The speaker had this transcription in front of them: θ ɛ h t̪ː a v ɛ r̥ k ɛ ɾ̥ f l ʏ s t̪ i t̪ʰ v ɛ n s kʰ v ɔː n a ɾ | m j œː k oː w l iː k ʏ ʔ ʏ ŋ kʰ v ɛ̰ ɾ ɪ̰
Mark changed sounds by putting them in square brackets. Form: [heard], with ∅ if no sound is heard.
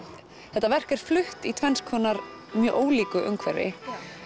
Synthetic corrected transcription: θ ɛ h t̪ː a v ɛ r̥ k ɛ ɾ̥ f l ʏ [h] t̪ i t̪ʰ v ɛ n s kʰ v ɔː n a ɾ | m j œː [ʔ] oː w l iː k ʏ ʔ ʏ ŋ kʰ v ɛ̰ ɾ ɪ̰